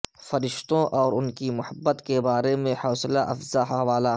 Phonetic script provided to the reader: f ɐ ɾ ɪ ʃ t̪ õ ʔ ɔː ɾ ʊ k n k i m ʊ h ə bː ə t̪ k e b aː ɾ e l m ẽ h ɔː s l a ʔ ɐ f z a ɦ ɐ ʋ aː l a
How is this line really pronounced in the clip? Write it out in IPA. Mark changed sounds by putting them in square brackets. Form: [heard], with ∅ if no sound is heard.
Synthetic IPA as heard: f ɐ ɾ ɪ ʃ t̪ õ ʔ ɔː ɾ ʊ [∅] n k i m ʊ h ə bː ə t̪ k e b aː ɾ e [∅] m ẽ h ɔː s l a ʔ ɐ f z a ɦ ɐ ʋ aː l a

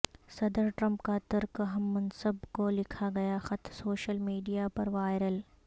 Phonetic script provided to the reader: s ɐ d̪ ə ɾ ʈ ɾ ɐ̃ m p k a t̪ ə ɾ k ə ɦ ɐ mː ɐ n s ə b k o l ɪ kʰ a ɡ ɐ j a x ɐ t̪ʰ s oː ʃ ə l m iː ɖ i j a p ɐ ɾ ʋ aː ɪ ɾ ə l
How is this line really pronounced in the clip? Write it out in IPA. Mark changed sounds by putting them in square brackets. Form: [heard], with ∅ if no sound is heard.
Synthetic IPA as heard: s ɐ d̪ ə ɾ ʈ ɾ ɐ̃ m p k a t̪ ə ɾ k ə ɦ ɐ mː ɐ n s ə b k o l ɪ kʰ a ɡ ɐ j a x ɐ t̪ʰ s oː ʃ ə l m iː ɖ i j a p ɐ ɾ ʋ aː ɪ ɾ ə l

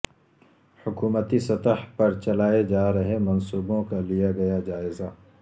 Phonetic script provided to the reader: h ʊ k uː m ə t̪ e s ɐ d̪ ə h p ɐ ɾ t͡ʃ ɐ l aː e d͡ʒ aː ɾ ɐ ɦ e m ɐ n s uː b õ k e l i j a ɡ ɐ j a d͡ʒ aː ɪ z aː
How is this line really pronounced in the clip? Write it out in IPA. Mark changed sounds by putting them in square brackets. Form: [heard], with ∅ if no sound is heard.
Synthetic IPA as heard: h ʊ k uː m ə t̪ [i] s ɐ [t̪] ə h p ɐ ɾ t͡ʃ ɐ l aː e d͡ʒ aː ɾ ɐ ɦ e m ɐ n s uː b õ k [a] l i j a ɡ ɐ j a d͡ʒ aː ɪ z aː

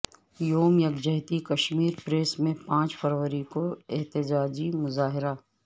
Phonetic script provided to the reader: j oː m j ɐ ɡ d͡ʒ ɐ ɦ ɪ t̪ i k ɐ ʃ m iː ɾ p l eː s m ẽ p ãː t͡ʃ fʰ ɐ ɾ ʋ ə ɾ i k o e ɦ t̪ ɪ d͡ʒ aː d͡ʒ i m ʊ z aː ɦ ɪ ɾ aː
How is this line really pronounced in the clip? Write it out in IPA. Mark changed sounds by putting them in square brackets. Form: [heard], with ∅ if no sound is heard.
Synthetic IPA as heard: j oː m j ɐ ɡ d͡ʒ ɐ ɦ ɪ t̪ i k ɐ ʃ m iː ɾ p [ɾ] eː s m ẽ p ãː t͡ʃ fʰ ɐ ɾ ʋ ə ɾ i k o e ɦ t̪ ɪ d͡ʒ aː d͡ʒ i m ʊ z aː ɦ ɪ ɾ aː

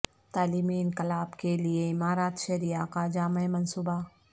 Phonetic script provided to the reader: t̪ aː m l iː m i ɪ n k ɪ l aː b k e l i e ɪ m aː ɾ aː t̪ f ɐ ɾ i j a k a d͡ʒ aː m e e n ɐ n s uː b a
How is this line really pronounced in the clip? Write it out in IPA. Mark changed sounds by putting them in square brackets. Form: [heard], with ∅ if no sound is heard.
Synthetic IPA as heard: t̪ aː [∅] l iː m i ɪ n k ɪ l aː b k e l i e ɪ m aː ɾ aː t̪ [ʃ] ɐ ɾ i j a k a d͡ʒ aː m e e [m] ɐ n s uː b a

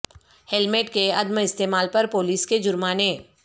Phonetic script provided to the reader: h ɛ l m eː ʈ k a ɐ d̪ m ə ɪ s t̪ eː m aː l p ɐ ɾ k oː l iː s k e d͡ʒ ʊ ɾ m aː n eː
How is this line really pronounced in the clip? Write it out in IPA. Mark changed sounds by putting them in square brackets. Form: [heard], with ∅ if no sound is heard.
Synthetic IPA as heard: h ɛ l m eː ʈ k [e] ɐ d̪ m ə ɪ s t̪ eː m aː l p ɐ ɾ [p] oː l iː s k e d͡ʒ ʊ ɾ m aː n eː

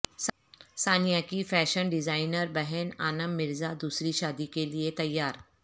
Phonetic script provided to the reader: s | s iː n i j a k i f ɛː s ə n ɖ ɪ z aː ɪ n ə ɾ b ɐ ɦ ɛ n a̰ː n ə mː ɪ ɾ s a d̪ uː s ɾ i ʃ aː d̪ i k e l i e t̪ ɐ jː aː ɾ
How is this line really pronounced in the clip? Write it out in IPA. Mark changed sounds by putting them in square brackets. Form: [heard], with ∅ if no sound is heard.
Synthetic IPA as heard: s | s [aː] n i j a k i f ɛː [ʃ] ə n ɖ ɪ z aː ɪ n ə ɾ b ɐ ɦ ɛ n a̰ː n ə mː ɪ ɾ [z] a d̪ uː s ɾ i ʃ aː d̪ i k e l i e t̪ ɐ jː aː ɾ

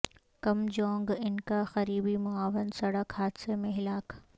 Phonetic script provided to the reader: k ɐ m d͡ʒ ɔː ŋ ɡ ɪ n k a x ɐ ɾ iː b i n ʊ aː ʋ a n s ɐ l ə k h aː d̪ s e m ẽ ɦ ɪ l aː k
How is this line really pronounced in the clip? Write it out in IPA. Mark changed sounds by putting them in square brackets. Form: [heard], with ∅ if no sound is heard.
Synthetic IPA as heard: k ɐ m d͡ʒ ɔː ŋ ɡ ɪ n k a x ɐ ɾ iː b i [m] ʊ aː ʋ [ə] n s ɐ [ɽ] ə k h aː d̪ s e m ẽ ɦ ɪ l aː k

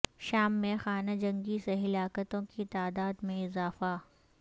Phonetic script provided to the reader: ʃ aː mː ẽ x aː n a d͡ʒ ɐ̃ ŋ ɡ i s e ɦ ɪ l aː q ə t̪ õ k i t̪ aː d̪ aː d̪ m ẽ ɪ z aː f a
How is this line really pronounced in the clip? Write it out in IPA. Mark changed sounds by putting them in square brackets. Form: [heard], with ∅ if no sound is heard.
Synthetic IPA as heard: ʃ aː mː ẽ x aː n a d͡ʒ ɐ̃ ŋ ɡ i s e ɦ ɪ l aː [k] ə t̪ õ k i t̪ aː d̪ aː d̪ m ẽ ɪ z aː f a

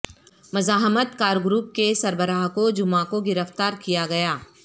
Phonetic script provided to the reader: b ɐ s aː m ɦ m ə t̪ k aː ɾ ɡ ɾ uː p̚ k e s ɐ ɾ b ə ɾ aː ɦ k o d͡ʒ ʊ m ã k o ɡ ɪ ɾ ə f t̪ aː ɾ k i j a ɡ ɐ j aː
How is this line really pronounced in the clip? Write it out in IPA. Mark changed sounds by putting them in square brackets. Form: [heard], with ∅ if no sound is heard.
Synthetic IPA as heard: [m] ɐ [z] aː [∅] ɦ m ə t̪ k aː ɾ ɡ ɾ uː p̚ k e s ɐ ɾ b ə ɾ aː ɦ k o d͡ʒ ʊ m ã k o ɡ ɪ ɾ ə f t̪ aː ɾ k i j a ɡ ɐ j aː

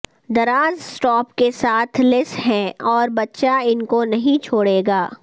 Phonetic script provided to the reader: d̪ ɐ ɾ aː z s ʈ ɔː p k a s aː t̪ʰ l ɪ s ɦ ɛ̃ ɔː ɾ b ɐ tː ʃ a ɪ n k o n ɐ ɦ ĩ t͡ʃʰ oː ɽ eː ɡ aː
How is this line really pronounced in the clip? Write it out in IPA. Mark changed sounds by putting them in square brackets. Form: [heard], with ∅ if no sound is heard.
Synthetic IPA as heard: d̪ ɐ ɾ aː z s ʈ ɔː p k [e] s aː t̪ʰ l ɪ s ɦ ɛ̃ ɔː ɾ b ɐ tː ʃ a ɪ n k o n ɐ ɦ ĩ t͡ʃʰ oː ɽ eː ɡ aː

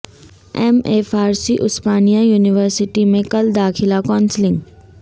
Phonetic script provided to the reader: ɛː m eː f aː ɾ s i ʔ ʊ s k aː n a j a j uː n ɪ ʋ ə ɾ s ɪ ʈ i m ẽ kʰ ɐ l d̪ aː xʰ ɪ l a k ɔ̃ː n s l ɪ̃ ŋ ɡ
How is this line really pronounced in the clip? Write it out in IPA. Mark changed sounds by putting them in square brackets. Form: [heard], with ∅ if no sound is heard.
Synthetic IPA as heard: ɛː m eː f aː ɾ s i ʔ ʊ s [p] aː n [i] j a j uː n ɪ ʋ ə ɾ s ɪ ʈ i m ẽ [k] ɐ l d̪ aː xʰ ɪ l a k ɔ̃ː n s l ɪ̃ ŋ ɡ

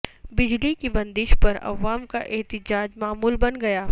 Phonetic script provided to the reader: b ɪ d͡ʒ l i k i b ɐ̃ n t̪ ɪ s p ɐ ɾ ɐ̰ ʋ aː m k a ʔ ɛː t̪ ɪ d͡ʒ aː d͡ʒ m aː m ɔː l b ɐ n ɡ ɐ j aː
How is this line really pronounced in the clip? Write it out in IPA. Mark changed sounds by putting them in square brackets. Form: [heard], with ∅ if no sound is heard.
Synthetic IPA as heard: b ɪ d͡ʒ l i k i b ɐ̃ n [d̪] ɪ [ʃ] p ɐ ɾ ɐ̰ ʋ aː m k a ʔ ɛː t̪ ɪ d͡ʒ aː d͡ʒ m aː m [uː] l b ɐ n ɡ ɐ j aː

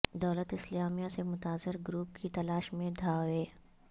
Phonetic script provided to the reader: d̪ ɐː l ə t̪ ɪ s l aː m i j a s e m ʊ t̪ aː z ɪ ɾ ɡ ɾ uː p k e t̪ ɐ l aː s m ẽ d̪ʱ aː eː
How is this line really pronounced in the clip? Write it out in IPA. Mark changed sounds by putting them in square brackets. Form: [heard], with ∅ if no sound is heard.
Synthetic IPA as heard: d̪ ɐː l ə t̪ ɪ s l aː m i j a s e m ʊ t̪ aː z ɪ ɾ ɡ ɾ uː p k [i] t̪ ɐ l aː [ʃ] m ẽ d̪ʱ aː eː

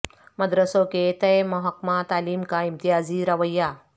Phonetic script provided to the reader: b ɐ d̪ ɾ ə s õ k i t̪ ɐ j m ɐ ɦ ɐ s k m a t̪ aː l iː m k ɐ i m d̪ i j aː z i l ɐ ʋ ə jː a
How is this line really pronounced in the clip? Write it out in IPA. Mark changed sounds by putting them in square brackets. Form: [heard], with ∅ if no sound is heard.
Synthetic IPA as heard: [m] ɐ d̪ ɾ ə s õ k [e] t̪ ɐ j m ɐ ɦ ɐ [∅] k m a t̪ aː l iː m k [a] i m [t̪] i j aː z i [ɾ] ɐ ʋ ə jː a

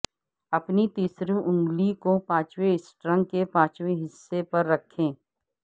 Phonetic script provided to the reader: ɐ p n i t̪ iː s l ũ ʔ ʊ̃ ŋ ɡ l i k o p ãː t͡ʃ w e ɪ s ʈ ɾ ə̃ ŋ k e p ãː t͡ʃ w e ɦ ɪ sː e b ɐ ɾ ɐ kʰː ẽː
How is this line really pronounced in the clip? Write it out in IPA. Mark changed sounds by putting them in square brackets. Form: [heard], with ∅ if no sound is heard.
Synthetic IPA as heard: ɐ p n i t̪ iː s [ɾ] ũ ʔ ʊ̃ ŋ ɡ l i k o p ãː t͡ʃ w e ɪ s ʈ ɾ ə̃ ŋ k e p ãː t͡ʃ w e ɦ ɪ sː e [p] ɐ [ɾː] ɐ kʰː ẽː

